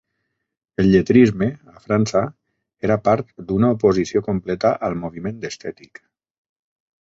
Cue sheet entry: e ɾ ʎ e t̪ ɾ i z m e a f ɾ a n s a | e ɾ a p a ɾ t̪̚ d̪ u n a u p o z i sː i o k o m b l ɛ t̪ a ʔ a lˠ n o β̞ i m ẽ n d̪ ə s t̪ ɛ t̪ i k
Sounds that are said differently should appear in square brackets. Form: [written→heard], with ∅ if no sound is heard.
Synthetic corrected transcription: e [ɾ→l] ʎ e t̪ ɾ i z m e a f ɾ a n s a | e ɾ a p a ɾ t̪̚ d̪ u n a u p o z i [sː→s] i o k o m [b→p] l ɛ t̪ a ʔ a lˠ [n→m] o β̞ i m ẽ n d̪ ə s t̪ ɛ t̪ i k